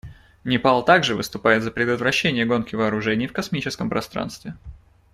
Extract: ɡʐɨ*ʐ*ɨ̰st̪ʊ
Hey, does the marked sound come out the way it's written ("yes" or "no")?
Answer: no